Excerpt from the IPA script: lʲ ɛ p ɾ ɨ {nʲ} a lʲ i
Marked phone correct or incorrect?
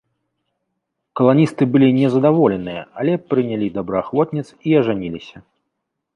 correct